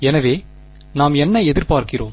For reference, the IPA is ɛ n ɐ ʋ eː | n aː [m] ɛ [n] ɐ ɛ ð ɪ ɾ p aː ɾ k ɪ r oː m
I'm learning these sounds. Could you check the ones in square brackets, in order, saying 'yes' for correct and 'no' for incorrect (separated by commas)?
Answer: yes, no